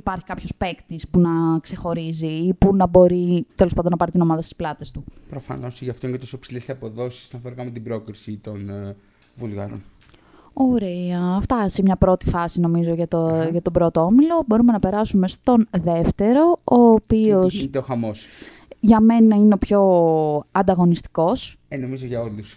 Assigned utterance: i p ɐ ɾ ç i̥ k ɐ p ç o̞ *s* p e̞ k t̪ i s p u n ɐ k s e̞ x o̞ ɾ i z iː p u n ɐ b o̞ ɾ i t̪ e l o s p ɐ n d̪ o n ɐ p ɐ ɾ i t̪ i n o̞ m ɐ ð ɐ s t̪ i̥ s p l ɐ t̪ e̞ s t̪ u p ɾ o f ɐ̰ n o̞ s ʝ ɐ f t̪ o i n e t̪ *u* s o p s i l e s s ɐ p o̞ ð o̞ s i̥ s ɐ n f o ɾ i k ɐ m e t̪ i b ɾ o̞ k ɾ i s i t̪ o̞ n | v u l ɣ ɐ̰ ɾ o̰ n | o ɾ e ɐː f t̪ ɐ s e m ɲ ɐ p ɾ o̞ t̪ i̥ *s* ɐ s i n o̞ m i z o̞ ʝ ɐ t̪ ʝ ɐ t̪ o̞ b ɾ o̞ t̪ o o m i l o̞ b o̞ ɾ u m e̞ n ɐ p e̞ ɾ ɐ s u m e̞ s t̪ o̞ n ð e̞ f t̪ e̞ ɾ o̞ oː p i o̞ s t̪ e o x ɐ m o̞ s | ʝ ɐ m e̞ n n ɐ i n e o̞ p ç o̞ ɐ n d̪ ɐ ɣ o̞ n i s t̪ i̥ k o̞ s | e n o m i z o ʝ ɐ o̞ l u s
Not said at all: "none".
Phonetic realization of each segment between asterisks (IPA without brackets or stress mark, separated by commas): s, o, f